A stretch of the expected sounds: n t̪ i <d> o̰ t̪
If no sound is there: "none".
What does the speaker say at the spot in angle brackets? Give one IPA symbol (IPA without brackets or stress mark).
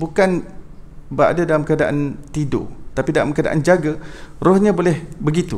d